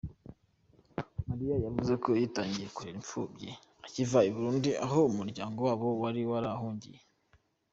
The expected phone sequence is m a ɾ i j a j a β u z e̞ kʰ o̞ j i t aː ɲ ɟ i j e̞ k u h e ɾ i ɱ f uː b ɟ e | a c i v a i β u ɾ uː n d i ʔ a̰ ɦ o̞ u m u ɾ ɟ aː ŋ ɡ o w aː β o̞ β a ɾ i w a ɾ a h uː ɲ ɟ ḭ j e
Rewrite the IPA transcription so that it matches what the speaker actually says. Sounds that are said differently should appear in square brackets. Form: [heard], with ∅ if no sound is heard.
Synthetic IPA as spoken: m a ɾ i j a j a [v] u z e̞ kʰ o̞ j i t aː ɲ ɟ i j e̞ k u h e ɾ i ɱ f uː b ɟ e | a c i v a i β u ɾ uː n d i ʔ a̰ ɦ o̞ u m u ɾ ɟ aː ŋ ɡ o w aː β o̞ [w] a ɾ i w a ɾ a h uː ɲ ɟ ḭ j e